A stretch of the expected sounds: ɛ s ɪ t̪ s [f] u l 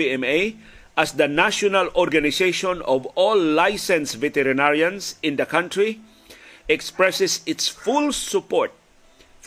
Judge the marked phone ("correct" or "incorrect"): correct